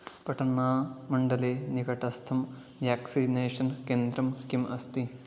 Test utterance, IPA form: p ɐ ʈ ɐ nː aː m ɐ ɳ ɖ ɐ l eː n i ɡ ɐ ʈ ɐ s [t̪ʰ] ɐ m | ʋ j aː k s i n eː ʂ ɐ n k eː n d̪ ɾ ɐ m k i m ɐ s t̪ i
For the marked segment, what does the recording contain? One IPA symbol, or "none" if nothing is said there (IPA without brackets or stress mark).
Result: t̪ʰ